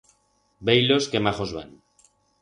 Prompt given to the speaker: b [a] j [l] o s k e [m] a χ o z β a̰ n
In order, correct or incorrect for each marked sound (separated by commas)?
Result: incorrect, correct, correct